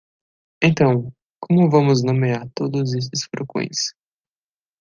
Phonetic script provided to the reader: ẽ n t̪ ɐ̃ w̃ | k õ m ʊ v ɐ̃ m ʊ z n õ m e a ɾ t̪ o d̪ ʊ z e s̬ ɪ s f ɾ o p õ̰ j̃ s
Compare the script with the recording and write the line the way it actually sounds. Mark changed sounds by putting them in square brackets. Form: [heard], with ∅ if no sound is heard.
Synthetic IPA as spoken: ẽ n t̪ ɐ̃ w̃ | k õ m ʊ v ɐ̃ m ʊ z n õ m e a ɾ t̪ o d̪ ʊ z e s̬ ɪ s f ɾ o [k] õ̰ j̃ s